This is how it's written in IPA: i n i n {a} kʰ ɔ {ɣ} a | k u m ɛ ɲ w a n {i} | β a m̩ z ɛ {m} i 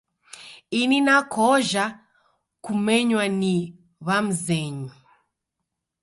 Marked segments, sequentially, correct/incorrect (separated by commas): correct, incorrect, correct, incorrect